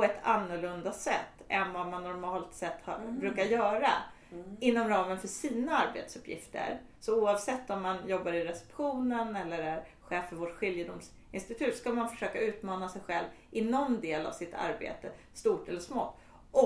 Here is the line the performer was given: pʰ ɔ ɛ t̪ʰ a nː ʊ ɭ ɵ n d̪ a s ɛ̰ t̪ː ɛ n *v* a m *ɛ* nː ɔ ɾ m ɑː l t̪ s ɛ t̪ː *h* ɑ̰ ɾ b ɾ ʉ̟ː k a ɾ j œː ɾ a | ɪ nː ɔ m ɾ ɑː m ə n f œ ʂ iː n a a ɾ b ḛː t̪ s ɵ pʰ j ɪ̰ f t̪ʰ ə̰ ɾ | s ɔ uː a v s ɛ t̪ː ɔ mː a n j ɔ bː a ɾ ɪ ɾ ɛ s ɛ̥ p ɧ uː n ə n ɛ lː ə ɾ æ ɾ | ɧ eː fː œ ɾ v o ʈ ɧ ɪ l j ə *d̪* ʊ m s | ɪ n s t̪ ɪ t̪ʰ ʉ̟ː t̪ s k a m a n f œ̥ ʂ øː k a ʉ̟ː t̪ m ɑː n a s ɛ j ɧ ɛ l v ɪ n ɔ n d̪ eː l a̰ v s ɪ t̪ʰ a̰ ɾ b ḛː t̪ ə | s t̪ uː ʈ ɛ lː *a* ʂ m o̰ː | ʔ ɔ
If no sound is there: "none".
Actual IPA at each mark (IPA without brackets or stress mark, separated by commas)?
v, a, h, d̪, ə